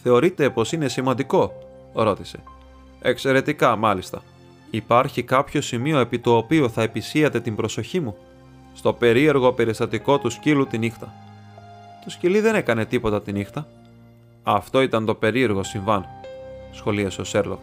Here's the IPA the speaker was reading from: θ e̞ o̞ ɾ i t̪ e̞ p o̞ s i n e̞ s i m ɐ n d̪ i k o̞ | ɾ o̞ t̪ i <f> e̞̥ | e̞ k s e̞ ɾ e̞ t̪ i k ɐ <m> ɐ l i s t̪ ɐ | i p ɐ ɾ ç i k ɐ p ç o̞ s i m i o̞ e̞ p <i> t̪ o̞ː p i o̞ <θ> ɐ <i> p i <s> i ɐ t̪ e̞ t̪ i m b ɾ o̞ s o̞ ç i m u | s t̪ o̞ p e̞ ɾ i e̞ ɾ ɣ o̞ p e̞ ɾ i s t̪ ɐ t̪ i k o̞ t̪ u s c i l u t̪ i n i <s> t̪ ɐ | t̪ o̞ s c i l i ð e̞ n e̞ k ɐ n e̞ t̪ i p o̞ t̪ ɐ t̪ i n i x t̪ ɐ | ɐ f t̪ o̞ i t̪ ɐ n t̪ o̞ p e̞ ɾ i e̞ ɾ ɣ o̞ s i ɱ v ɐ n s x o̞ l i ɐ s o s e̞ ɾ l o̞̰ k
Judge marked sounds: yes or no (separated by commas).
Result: no, yes, yes, yes, no, yes, no